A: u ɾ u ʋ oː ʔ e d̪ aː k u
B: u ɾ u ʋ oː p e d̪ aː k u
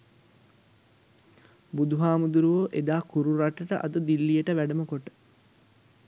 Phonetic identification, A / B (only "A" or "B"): A